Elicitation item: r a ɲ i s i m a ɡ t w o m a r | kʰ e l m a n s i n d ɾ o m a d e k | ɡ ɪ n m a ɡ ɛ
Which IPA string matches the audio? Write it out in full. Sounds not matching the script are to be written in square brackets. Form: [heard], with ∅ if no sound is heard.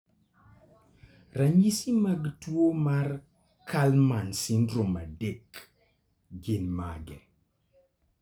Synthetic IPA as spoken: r a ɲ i s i m a ɡ t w o m a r | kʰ [a] l m a n s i n d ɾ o m a d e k | ɡ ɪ n m a ɡ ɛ